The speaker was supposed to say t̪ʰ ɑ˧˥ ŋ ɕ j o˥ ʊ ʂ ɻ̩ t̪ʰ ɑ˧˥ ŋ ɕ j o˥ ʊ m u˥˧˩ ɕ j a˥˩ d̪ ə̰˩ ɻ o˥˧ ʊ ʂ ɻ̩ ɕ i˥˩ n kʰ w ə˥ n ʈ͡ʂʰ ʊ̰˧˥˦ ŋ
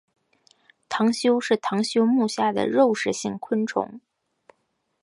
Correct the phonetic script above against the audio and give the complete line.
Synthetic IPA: t̪ʰ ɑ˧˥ ŋ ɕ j o˥ ʊ ʂ ɻ̩ t̪ʰ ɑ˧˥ ŋ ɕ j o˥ ʊ m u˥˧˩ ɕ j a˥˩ d̪ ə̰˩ ɻ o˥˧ ʊ ʂ ɻ̩ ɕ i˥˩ ŋ kʰ w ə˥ n ʈ͡ʂʰ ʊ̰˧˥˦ ŋ